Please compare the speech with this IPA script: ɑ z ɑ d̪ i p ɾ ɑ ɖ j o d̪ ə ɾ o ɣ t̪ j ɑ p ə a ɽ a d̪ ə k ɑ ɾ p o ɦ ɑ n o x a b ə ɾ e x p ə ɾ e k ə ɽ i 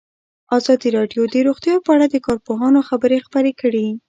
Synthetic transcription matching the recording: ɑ z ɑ d̪ i ɾ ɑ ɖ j o d̪ ə ɾ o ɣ t̪ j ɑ p ə a ɽ a d̪ ə k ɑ ɾ p o ɦ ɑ n o x a b ə ɾ e x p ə ɾ e k ə ɽ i